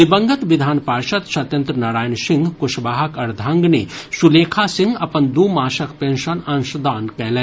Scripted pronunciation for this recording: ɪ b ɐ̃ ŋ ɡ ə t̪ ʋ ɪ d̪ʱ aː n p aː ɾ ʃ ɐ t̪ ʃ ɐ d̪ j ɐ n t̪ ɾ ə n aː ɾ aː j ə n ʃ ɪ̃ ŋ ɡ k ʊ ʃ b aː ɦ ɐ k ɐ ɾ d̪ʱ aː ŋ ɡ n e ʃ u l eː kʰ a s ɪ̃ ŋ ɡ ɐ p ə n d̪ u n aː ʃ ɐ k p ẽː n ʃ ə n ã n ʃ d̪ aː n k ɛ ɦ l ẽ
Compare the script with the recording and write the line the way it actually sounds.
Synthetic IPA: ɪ b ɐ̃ ŋ ɡ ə t̪ ʋ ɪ d̪ʱ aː n p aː ɾ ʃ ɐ t̪ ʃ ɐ t̪ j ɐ n t̪ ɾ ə n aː ɾ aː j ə n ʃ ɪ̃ ŋ ɡ k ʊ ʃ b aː ɦ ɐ k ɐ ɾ d̪ʱ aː ŋ ɡ n e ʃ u l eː kʰ a s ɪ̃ ŋ ɡ ɐ p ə n d̪ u m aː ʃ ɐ k p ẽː n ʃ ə n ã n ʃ d̪ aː n k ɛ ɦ l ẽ